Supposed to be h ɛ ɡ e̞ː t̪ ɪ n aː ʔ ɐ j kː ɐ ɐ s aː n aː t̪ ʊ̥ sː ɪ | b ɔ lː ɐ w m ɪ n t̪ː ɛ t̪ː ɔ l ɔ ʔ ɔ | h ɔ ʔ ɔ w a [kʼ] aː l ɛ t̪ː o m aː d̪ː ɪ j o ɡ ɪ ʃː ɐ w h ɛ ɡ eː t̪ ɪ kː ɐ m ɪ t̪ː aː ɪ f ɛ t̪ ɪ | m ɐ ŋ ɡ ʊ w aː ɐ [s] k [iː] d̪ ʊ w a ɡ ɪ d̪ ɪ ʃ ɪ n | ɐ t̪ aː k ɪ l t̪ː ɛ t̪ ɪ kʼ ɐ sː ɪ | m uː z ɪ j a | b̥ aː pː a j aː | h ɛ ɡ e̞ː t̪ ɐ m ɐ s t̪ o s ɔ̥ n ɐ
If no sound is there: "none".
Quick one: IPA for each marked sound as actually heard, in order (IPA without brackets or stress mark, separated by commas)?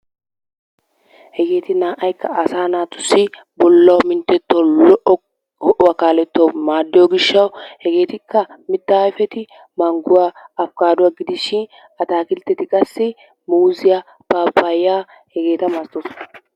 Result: k, f, aː